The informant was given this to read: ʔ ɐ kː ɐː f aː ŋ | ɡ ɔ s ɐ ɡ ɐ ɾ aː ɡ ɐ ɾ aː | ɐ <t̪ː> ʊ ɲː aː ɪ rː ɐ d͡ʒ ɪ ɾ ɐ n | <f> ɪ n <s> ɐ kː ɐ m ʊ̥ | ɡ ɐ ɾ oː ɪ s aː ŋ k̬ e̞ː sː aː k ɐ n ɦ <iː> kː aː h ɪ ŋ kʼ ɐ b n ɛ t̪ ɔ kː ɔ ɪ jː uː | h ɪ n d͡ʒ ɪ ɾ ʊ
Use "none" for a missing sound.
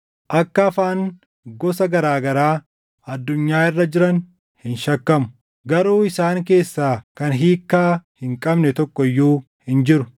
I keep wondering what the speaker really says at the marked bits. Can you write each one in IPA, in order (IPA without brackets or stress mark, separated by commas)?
d̪ː, h, ʃ, iː